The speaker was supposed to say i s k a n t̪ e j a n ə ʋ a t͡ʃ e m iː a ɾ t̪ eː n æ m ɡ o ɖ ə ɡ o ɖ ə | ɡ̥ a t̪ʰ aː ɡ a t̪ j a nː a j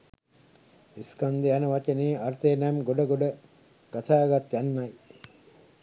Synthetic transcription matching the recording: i s k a n d̪ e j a n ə ʋ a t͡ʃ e n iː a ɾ t̪ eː n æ m ɡ o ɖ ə ɡ o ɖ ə | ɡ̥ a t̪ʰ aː ɡ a t̪ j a nː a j